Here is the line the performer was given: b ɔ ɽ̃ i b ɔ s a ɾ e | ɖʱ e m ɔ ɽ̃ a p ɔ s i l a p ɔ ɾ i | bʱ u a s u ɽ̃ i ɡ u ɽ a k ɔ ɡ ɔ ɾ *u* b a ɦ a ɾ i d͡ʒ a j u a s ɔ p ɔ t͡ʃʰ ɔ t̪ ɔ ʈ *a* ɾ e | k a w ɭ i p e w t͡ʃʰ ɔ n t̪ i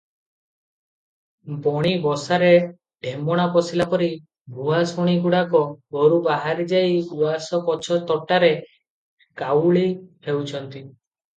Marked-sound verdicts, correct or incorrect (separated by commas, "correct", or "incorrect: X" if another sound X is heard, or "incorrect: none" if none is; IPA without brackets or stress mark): correct, correct